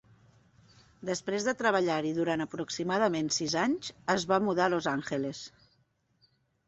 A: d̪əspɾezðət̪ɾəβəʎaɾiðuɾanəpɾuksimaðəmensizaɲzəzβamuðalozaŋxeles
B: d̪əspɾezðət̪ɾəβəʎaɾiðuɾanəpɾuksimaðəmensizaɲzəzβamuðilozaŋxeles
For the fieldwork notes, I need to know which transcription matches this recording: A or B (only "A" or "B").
A